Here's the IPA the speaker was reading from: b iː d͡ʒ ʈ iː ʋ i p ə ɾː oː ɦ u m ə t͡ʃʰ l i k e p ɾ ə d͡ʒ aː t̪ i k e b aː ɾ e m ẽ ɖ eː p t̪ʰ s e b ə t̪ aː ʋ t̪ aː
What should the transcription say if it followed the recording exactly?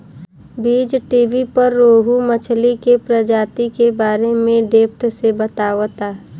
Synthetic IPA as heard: b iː d͡ʒ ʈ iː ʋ i p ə ɾː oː ɦ u m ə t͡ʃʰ l i k e p ɾ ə d͡ʒ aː t̪ i k e b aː ɾ e m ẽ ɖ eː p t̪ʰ s e b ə t̪ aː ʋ t̪ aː